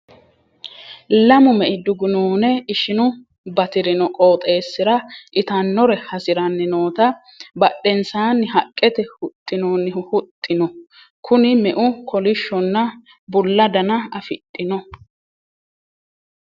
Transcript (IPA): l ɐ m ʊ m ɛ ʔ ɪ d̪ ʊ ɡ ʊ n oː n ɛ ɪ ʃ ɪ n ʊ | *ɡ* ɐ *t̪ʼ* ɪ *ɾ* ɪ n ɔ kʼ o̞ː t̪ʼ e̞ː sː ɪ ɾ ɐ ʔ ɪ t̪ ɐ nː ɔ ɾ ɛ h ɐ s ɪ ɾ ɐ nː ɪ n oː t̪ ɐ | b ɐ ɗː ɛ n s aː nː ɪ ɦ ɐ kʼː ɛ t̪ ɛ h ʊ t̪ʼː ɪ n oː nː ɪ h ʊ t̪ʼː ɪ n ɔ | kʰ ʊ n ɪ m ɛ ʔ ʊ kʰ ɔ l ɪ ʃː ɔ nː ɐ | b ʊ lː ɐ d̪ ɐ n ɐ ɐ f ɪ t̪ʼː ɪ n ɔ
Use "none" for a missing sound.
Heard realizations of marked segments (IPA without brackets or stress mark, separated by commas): b, t̪, ɾ